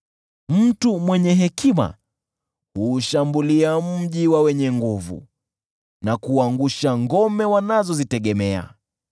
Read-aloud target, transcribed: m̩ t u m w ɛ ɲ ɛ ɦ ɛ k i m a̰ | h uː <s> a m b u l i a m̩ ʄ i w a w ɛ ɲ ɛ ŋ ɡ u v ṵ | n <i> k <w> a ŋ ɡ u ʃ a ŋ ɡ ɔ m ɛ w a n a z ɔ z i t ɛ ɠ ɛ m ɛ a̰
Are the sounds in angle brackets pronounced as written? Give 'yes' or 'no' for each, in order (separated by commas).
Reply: no, no, no